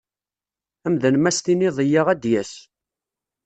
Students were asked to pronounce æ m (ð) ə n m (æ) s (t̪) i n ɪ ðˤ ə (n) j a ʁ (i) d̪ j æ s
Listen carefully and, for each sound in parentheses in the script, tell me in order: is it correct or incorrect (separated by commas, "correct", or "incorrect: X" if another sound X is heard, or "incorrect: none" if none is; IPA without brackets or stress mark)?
correct, correct, correct, incorrect: none, incorrect: æ